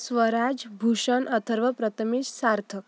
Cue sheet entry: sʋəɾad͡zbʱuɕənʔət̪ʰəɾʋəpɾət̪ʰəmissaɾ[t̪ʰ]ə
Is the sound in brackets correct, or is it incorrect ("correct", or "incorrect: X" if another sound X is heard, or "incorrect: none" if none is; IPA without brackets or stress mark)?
correct